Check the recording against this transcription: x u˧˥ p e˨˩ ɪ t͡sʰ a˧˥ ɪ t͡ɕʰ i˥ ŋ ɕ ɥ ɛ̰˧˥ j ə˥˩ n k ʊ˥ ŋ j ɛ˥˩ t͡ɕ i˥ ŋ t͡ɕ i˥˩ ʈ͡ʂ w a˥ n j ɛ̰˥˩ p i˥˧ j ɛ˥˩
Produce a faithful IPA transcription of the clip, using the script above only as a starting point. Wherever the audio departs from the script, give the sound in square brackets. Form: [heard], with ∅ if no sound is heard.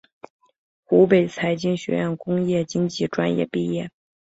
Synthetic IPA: x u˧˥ p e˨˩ ɪ t͡sʰ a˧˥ ɪ [t͡ɕ] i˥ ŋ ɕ ɥ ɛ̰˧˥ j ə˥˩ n k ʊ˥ ŋ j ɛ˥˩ t͡ɕ i˥ ŋ t͡ɕ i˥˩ ʈ͡ʂ w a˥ n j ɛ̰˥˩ p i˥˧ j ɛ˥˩